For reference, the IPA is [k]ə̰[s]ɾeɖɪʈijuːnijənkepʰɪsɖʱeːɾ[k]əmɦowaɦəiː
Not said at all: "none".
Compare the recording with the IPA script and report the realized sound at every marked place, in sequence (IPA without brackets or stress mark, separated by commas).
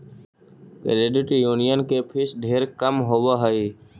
k, none, k